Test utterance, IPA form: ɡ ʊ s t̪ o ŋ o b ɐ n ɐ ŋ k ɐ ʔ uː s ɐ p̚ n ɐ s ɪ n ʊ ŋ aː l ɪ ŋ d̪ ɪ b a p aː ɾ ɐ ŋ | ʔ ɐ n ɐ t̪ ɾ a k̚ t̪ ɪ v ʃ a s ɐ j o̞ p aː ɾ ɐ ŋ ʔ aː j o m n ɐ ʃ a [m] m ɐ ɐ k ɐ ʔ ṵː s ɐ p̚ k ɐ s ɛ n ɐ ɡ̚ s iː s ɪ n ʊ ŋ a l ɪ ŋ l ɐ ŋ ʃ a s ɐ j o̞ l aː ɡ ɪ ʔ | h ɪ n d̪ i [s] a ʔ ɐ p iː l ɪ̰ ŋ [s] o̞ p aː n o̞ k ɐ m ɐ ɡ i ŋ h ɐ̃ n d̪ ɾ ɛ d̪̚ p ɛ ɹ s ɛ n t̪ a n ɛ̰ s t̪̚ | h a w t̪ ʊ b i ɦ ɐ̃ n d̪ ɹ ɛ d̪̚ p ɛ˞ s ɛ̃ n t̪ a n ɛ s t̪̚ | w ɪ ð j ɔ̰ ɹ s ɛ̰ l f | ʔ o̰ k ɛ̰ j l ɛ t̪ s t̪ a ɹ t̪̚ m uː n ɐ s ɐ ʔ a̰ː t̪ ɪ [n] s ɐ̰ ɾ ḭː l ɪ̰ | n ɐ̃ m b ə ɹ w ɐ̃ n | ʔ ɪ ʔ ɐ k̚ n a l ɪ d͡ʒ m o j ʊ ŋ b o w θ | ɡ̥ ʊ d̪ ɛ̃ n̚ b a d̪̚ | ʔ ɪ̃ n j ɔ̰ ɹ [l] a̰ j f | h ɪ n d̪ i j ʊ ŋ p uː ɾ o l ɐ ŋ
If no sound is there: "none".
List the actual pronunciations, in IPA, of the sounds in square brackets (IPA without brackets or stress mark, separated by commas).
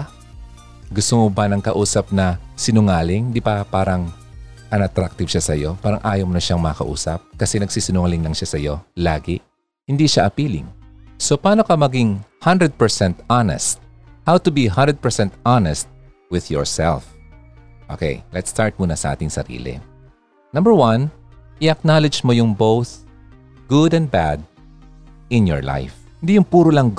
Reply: ŋ, ʃ, s, ŋ, l